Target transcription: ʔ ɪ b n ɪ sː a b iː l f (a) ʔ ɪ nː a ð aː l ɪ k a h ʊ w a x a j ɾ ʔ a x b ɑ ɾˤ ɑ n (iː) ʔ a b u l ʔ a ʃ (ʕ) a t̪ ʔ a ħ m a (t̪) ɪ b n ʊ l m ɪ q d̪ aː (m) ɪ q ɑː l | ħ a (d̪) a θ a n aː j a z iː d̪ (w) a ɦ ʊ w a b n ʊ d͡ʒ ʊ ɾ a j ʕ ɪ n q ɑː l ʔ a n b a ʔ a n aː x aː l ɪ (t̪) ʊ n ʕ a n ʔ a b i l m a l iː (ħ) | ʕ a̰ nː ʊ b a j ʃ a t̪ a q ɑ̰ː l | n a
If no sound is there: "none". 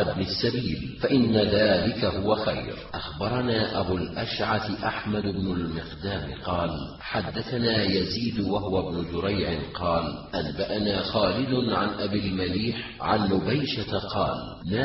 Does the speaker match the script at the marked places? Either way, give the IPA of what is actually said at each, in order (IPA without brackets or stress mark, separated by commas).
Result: a, aː, ʕ, d̪, m, d̪ː, w, d̪, ħ